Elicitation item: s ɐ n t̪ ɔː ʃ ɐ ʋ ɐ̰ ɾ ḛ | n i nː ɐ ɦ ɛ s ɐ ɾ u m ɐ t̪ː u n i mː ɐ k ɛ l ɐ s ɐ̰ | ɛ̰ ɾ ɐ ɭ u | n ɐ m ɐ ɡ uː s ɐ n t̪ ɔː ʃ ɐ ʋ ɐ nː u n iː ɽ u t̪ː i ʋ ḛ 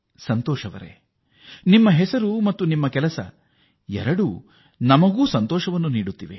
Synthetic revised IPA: s ɐ n t̪ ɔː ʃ ɐ ʋ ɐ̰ ɾ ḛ | n i mː ɐ ɦ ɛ s ɐ ɾ u m ɐ t̪ː u n i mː ɐ k ɛ l ɐ s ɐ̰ | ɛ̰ ɾ ɐ ɽ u | n ɐ m ɐ ɡ uː s ɐ n t̪ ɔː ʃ ɐ ʋ ɐ nː u n iː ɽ u t̪ː i ʋ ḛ